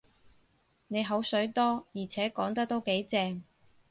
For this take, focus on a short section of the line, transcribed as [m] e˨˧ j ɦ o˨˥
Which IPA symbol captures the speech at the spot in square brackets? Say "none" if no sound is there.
n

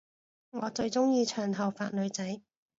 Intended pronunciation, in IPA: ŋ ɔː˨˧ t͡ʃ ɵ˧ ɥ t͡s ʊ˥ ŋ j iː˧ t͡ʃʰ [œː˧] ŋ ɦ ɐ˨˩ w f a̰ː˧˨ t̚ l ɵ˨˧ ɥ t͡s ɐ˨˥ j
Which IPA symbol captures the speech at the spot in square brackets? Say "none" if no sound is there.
œː˨˩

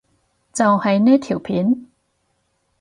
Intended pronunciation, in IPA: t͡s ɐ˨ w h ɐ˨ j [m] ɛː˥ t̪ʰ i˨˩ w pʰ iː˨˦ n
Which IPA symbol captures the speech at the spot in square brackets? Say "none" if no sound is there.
n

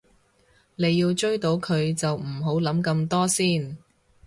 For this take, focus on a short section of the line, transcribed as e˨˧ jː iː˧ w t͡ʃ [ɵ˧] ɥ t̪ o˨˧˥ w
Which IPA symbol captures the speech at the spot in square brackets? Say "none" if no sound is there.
ɵ˥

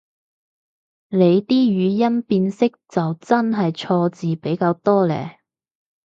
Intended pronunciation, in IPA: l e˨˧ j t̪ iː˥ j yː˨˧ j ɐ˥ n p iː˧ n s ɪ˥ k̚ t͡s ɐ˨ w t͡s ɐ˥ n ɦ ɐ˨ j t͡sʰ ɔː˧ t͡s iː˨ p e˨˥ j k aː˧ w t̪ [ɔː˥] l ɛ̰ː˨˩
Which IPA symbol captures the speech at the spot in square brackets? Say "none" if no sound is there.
ɔː˥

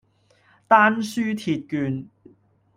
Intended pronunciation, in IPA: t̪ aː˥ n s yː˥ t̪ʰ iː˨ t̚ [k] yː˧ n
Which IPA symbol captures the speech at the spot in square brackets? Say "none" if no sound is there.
k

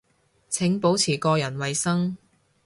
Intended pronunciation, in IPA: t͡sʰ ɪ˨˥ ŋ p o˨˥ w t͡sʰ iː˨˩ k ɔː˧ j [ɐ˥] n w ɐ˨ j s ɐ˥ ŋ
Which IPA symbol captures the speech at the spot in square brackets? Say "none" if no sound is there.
ɐ˨˩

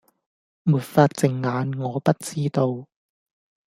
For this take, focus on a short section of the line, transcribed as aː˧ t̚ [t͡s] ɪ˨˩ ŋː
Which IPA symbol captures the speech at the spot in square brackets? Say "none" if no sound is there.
t͡s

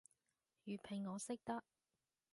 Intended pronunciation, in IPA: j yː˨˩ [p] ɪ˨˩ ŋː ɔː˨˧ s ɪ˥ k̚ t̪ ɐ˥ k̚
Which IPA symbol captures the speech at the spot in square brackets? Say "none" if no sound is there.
pʰ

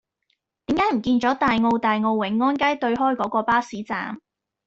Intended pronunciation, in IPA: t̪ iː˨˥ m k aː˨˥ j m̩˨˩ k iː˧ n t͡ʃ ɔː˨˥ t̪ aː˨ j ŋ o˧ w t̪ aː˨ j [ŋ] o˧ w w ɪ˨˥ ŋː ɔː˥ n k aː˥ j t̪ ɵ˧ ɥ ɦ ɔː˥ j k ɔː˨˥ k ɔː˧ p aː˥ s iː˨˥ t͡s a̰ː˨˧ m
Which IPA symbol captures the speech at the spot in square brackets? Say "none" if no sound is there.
ŋ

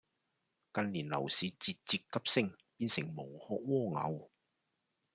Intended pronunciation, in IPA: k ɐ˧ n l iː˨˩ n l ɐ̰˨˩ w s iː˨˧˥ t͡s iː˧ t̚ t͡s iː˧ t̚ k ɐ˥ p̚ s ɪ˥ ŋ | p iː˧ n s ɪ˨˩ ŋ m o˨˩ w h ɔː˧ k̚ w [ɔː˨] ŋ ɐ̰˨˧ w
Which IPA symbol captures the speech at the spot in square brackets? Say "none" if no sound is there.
ɔː˥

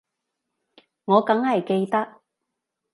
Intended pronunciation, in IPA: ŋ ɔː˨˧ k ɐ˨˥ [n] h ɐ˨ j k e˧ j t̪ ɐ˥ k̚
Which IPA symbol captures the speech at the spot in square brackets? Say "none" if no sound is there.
ŋ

